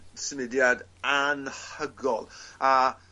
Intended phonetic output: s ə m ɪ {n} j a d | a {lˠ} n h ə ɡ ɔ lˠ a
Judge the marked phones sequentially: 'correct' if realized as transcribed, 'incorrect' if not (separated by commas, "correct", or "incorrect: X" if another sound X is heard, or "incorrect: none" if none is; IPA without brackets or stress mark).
incorrect: d, incorrect: none